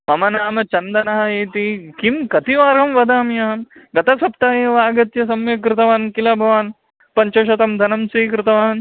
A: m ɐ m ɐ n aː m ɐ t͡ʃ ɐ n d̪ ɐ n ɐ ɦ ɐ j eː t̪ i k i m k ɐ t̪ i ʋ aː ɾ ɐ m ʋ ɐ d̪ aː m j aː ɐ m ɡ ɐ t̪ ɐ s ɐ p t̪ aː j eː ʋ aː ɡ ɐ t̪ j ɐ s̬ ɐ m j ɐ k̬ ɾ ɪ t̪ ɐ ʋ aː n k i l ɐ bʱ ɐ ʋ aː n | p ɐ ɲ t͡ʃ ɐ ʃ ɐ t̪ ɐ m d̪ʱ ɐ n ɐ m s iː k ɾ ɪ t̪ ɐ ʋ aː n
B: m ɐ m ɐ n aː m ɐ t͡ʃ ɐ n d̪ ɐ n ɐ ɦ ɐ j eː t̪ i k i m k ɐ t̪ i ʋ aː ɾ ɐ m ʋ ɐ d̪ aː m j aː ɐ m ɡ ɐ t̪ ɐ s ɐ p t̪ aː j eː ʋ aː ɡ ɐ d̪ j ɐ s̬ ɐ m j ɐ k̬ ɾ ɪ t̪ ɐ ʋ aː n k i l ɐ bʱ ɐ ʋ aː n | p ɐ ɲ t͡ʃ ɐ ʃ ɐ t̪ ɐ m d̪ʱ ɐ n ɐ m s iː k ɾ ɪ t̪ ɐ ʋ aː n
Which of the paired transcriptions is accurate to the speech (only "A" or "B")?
A